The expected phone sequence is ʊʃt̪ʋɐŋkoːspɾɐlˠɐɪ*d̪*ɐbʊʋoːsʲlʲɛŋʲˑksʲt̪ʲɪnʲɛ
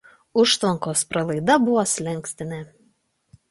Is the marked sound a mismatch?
no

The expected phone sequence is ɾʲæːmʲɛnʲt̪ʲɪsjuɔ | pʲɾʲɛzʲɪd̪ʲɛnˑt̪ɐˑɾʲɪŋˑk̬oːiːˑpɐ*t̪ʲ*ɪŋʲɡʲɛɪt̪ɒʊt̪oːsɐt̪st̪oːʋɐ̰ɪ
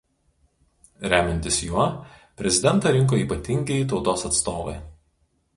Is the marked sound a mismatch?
no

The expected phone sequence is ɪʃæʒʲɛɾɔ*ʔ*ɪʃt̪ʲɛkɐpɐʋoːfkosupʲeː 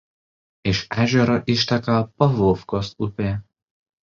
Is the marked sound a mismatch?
no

